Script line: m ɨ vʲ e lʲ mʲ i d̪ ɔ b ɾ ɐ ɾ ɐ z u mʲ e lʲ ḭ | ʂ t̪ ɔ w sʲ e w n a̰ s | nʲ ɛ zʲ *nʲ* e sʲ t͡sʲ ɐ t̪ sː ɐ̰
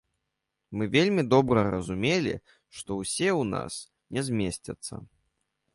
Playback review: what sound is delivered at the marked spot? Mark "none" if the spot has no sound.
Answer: mʲ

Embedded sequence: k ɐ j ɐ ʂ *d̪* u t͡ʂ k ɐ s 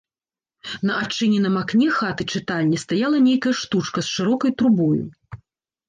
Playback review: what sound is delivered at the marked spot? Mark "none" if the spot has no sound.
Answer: t̪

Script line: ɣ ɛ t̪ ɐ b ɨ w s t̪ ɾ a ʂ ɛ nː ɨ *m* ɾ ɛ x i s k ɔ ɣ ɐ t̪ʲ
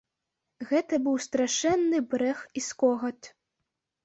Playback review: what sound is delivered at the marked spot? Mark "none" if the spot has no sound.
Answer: b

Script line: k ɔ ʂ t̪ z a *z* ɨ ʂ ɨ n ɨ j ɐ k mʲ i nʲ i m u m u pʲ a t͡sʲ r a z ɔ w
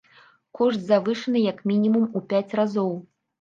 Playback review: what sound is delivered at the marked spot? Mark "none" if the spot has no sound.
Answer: v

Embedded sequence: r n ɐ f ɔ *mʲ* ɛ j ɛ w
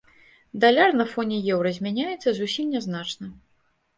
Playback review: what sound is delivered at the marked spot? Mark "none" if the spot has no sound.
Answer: nʲ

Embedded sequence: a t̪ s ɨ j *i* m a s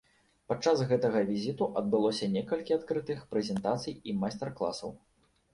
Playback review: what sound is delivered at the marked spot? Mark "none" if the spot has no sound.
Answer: i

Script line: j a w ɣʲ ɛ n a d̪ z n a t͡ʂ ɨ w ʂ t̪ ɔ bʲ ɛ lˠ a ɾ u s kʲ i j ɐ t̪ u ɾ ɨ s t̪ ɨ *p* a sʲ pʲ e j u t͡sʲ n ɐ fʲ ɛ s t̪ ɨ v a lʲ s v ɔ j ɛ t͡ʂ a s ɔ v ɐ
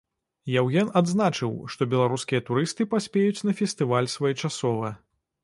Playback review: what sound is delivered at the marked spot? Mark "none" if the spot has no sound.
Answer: p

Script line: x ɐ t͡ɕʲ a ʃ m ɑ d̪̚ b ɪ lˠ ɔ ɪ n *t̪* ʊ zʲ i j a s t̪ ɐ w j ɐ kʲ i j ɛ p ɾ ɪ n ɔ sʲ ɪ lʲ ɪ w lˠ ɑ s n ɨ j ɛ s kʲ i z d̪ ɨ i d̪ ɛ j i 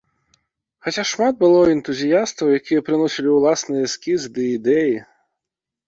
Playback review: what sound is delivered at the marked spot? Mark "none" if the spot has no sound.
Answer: t̪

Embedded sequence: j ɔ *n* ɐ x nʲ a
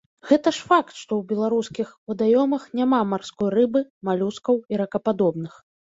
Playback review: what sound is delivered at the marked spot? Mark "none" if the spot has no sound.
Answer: m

